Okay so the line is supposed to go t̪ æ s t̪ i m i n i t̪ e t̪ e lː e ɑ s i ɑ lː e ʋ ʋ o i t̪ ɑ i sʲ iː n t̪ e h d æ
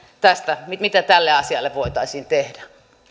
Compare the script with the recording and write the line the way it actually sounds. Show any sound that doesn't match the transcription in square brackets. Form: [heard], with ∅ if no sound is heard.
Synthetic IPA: t̪ æ s t̪ [æ] m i [m] i t̪ [æ] t̪ [æ] lː e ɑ s i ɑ lː e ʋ ʋ o i t̪ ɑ i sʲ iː n t̪ e h d æ